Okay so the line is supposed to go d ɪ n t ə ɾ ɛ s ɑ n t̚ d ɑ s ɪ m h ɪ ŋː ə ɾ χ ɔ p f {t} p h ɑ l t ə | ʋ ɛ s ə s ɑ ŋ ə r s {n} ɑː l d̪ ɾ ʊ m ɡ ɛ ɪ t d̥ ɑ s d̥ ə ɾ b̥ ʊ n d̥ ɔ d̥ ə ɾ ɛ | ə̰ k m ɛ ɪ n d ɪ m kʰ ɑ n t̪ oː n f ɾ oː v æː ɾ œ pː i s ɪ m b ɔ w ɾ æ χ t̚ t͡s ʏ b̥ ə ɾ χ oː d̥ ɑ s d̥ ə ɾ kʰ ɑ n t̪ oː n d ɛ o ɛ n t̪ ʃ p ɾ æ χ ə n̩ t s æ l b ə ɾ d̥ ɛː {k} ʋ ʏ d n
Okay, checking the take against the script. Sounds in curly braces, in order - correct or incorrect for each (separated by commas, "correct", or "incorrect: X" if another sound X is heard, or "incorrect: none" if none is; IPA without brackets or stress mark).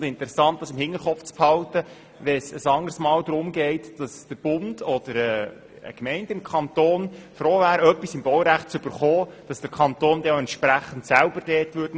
incorrect: t͡s, incorrect: m, incorrect: t